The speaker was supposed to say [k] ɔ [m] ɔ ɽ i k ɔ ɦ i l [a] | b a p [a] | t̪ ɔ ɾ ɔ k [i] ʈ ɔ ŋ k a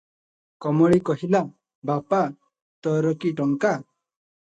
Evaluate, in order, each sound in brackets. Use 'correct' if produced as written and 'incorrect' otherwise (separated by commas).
correct, correct, correct, correct, correct